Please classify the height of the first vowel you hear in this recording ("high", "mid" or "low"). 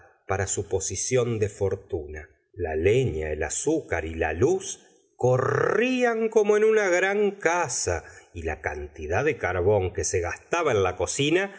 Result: low